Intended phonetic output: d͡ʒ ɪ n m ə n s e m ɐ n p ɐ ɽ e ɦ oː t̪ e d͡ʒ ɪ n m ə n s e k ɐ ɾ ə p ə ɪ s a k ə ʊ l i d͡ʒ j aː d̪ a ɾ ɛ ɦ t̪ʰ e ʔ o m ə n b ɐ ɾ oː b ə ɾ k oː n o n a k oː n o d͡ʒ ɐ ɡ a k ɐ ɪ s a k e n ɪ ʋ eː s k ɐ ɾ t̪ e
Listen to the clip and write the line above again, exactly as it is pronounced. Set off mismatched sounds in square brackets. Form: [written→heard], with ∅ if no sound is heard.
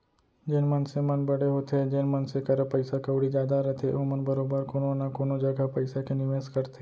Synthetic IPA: d͡ʒ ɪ n m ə n s e m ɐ n [p→b] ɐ ɽ e ɦ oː t̪ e d͡ʒ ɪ n m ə n s e k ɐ ɾ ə p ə ɪ s a k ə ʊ [l→ɽ] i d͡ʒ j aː d̪ a ɾ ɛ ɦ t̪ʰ e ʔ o m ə n b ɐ ɾ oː b ə ɾ k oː n o n a k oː n o d͡ʒ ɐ ɡ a [k→p] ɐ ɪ s a k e n ɪ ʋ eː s k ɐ ɾ t̪ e